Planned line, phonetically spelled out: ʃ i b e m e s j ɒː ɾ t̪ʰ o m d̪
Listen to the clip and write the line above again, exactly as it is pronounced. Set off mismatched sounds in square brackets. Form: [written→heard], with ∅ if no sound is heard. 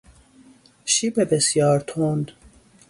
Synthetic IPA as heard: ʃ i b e [m→b] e s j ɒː ɾ t̪ʰ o [m→n] d̪